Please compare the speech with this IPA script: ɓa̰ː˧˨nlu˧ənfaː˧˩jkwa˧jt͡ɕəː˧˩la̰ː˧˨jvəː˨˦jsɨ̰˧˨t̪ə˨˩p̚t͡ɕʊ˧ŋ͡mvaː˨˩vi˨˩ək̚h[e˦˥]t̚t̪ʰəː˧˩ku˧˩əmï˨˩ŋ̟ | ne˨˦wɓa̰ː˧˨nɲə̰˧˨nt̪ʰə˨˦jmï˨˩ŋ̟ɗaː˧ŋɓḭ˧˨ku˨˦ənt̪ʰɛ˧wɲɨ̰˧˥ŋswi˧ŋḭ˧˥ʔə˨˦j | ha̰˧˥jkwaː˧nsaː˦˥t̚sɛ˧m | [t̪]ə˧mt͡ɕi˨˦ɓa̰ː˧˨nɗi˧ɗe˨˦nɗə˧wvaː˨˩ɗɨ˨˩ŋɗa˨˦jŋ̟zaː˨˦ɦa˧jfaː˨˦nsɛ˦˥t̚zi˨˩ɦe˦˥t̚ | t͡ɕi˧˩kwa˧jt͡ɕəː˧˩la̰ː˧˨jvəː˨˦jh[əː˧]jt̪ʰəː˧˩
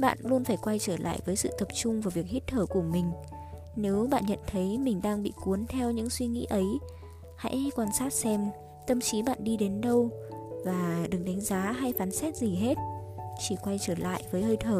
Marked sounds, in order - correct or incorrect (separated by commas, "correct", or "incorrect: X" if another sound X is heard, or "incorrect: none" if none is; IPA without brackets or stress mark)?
incorrect: i˦˥, correct, correct